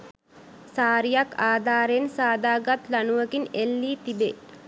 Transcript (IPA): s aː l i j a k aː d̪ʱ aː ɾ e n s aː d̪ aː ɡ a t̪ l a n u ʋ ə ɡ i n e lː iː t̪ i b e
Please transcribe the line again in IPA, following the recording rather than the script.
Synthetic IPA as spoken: s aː ɾ i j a k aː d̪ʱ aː ɾ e n s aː d̪ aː ɡ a t̪ l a n u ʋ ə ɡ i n e lː iː t̪ i b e